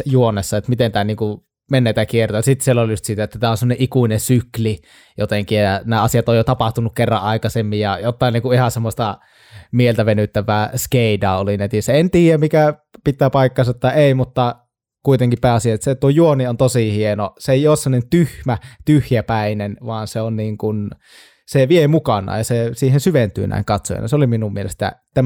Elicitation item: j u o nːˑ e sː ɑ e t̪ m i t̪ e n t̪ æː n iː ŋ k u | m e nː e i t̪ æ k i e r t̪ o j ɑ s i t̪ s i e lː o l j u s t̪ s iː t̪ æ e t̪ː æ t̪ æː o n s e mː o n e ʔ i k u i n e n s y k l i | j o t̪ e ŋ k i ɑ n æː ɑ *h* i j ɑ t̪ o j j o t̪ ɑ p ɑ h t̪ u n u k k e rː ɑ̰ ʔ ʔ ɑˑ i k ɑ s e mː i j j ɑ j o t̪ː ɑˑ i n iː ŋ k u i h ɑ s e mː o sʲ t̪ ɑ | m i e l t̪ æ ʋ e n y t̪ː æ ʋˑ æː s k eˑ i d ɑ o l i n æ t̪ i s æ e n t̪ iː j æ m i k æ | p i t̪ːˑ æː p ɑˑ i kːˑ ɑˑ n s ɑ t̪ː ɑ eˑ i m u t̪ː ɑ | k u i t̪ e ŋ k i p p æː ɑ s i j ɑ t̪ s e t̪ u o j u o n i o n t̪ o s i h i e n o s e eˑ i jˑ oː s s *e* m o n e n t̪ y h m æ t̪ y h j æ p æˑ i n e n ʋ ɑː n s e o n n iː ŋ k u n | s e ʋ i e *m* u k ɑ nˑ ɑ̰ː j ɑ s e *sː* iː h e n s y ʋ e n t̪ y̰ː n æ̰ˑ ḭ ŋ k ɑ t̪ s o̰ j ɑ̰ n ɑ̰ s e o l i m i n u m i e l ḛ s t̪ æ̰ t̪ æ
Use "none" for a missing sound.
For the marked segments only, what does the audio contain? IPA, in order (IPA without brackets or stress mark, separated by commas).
s, e, m, s